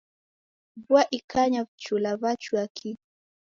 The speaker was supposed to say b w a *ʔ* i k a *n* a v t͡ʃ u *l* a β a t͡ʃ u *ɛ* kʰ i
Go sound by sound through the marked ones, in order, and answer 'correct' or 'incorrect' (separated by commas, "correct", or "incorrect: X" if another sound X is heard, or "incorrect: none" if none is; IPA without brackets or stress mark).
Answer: correct, incorrect: ɲ, correct, incorrect: a